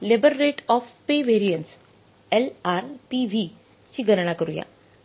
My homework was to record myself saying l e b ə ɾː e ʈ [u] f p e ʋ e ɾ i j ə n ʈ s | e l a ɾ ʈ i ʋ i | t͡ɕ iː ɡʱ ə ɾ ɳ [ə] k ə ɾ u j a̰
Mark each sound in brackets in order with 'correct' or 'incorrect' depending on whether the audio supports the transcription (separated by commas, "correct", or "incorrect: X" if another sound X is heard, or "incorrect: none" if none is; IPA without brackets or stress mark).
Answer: incorrect: ɔ, incorrect: a